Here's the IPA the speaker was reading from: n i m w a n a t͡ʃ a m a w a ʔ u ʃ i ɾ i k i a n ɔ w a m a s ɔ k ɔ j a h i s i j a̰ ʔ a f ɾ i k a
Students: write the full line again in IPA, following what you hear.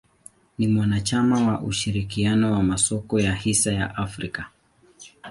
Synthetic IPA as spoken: n i m w a n a t͡ʃ a m a w a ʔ u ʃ i ɾ i k i a n ɔ w a m a s ɔ k ɔ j a h i s a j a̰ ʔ a f ɾ i k a